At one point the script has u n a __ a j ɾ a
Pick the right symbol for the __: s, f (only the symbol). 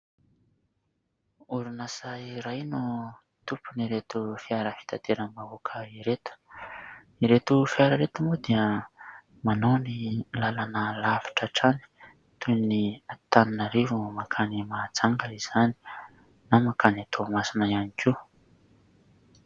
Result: s